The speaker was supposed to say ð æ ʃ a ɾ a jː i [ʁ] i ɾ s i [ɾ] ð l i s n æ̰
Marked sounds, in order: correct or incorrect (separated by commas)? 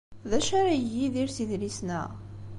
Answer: incorrect, incorrect